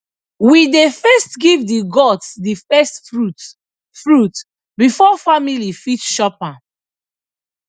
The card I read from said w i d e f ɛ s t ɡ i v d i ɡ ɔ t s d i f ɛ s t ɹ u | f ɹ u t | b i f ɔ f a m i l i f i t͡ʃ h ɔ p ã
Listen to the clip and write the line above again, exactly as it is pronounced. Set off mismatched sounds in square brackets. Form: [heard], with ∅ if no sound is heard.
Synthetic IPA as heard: w i d e f ɛ s t ɡ i v d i ɡ ɔ t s d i f ɛ s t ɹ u | f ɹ u t | b i f ɔ f a m i l i f i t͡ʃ [ʃ] ɔ p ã